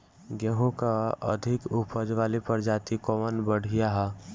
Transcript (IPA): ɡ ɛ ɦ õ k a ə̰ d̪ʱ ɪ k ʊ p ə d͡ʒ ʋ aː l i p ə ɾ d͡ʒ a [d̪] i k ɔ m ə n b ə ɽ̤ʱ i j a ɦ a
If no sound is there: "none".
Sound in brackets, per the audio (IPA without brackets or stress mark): t̪